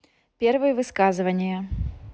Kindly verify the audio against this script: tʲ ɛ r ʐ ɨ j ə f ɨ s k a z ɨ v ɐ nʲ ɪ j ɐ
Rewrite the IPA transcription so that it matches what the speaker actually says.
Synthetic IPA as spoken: pʲ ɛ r v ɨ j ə v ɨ s k a z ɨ v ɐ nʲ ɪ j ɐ